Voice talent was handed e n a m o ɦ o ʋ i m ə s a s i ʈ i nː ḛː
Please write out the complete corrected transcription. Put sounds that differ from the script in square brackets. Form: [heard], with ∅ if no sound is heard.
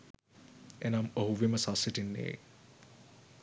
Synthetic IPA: e n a m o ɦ [u] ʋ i m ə s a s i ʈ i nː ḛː

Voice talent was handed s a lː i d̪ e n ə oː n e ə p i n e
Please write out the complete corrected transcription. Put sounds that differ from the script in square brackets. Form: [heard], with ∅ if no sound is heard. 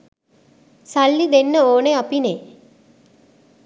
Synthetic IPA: s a lː i d̪ e [nː] ə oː n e [a] p i n e

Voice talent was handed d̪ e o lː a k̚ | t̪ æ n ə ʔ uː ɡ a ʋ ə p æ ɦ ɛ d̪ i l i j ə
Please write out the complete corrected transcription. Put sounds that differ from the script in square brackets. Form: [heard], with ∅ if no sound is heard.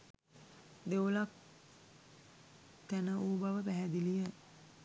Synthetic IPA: d̪ e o [l] a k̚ | t̪ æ n ə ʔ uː [b] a ʋ ə p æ ɦ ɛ d̪ i l i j ə

